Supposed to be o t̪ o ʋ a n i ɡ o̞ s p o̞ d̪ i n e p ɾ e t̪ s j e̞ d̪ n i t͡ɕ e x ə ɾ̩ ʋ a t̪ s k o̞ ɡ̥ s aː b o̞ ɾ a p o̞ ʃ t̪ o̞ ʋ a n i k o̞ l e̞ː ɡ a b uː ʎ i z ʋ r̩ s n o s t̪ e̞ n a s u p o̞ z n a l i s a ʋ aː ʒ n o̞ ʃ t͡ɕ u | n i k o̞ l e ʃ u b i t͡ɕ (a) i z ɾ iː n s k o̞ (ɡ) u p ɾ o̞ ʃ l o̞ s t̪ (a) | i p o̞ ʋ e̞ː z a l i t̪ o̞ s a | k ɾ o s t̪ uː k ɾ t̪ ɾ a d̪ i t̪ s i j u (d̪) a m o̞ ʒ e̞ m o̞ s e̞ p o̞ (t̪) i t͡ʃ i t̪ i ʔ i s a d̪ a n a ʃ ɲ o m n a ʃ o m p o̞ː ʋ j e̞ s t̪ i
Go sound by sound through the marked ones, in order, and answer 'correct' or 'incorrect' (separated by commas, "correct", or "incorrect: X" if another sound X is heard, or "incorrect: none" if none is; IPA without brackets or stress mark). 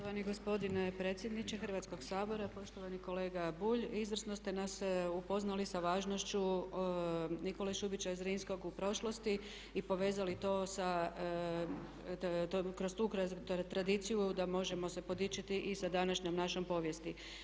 correct, correct, incorrect: i, correct, incorrect: d̪